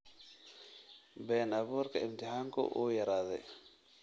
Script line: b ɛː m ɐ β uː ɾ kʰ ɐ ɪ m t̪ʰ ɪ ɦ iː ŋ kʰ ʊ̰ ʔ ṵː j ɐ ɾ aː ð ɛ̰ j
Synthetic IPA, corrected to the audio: b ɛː n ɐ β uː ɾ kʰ ɐ ɪ m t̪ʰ ɪ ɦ aː ŋ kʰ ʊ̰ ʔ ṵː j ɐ ɾ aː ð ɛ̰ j